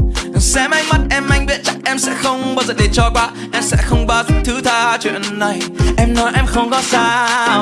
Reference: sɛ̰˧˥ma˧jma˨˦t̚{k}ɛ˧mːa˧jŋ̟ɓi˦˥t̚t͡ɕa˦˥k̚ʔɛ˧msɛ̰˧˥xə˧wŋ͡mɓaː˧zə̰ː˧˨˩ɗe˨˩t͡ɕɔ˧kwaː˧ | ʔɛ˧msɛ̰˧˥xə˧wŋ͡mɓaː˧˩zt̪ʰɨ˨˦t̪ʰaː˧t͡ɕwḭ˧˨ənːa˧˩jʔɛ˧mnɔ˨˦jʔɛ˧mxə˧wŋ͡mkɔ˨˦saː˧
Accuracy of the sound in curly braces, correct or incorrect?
incorrect